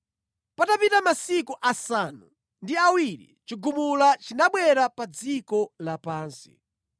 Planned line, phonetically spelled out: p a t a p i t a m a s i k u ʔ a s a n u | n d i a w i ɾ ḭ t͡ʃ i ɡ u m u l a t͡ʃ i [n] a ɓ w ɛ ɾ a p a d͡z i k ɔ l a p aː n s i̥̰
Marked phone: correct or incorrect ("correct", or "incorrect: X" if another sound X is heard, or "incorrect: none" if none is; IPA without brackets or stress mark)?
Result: correct